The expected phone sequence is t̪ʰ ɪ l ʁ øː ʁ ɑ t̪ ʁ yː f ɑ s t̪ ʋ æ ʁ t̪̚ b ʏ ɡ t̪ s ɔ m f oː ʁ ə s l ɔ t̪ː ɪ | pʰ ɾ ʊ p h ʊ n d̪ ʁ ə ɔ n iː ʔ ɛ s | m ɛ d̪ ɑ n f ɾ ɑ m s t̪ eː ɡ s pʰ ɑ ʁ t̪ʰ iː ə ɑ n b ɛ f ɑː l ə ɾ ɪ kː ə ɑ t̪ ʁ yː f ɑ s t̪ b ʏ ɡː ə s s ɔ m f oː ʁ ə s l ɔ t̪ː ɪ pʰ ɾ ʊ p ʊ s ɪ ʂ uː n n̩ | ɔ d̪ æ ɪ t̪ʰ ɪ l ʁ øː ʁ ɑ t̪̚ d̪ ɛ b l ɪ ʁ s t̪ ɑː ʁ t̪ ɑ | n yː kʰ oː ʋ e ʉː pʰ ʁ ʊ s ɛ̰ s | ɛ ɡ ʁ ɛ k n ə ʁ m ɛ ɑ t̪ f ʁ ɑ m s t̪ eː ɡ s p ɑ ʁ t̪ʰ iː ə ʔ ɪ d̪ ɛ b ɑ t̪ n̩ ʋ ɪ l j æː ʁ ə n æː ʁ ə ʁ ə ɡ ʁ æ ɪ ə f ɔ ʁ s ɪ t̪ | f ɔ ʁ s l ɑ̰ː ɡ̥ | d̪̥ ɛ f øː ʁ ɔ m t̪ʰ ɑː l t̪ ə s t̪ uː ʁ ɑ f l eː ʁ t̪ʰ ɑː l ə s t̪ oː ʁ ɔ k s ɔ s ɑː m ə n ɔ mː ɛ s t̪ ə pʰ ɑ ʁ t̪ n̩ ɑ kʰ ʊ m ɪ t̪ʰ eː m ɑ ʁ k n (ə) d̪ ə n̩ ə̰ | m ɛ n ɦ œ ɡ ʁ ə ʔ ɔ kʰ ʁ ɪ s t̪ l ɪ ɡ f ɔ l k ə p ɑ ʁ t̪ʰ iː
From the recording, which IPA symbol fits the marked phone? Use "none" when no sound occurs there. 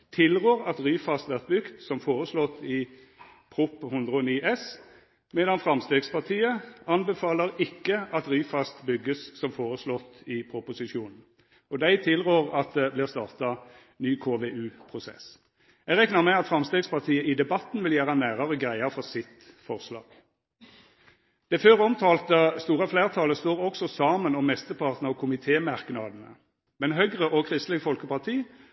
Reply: ɑ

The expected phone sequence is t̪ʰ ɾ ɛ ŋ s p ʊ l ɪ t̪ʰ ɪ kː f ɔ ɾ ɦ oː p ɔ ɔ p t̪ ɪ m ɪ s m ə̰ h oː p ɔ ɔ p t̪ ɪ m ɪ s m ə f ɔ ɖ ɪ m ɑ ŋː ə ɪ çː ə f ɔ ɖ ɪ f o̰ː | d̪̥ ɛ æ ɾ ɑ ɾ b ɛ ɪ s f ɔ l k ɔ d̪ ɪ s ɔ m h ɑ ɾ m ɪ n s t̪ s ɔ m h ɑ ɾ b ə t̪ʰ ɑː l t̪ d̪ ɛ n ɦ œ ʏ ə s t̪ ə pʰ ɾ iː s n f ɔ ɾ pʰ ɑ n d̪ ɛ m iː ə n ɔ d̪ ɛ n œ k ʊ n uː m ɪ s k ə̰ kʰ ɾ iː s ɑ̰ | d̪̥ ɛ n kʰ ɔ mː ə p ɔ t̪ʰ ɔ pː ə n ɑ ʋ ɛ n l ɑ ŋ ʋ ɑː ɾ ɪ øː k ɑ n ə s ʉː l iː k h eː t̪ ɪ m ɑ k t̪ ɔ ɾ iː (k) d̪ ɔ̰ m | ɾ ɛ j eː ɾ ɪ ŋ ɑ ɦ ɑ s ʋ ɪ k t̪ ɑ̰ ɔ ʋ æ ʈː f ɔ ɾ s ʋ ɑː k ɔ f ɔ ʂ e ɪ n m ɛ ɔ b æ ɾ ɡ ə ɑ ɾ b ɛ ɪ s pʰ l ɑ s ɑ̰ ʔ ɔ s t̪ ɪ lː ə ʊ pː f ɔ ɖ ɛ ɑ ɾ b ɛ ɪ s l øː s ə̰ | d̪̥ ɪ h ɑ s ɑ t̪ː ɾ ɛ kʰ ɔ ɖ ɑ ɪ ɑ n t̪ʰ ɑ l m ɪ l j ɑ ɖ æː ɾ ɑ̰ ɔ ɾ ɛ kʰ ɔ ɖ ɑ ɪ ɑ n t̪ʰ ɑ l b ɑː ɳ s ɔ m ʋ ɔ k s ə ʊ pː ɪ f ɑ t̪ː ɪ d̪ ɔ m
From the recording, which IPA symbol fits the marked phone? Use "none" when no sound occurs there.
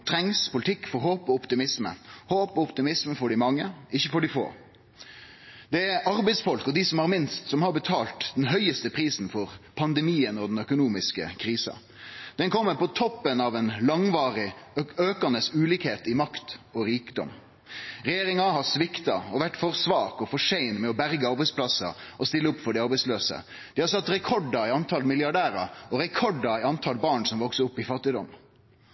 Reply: k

